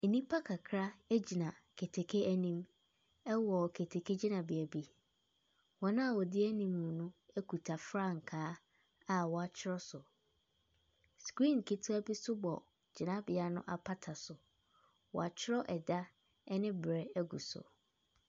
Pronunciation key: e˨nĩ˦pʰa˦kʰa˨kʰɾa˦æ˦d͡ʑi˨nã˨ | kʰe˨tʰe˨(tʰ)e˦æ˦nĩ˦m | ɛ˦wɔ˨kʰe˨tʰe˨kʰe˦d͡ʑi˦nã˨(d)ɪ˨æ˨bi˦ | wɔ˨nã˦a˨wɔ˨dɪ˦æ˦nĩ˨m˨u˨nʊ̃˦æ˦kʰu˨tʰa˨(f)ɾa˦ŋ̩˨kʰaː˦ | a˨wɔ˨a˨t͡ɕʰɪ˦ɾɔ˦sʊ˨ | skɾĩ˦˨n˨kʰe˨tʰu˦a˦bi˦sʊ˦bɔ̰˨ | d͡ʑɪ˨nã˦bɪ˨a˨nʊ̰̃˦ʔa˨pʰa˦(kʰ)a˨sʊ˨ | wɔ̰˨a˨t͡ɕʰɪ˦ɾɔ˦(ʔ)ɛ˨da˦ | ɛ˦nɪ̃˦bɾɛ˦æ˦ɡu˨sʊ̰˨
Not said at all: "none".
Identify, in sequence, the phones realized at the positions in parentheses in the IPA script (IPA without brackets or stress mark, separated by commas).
kʰ, b, f, tʰ, ʔ